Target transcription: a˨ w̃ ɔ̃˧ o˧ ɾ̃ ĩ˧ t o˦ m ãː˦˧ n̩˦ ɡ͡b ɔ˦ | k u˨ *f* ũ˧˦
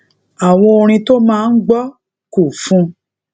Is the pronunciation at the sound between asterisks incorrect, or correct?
correct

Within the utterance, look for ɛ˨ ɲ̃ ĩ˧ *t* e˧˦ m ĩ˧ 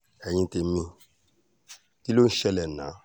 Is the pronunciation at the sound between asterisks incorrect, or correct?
correct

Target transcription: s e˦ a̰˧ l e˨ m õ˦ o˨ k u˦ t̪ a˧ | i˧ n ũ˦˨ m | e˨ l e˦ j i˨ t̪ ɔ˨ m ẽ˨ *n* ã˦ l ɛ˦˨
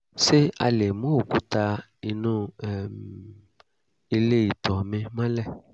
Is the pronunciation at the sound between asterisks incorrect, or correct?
incorrect: m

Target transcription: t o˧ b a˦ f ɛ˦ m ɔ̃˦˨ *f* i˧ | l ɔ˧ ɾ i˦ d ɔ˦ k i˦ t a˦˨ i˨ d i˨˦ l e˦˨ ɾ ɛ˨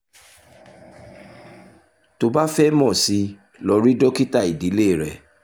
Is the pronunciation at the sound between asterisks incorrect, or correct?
incorrect: s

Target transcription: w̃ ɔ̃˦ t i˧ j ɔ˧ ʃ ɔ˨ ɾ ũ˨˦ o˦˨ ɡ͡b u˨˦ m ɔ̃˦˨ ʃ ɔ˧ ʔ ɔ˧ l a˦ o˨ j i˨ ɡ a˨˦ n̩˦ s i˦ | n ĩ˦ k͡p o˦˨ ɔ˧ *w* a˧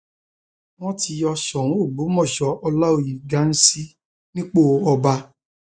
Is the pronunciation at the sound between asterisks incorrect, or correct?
incorrect: b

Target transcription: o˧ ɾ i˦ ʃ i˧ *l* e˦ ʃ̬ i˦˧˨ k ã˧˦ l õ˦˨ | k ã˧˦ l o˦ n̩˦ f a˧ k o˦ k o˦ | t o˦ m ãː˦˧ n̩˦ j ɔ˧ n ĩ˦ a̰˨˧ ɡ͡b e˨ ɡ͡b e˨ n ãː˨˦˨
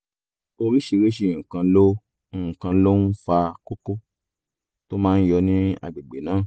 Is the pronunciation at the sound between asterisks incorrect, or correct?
incorrect: ɾ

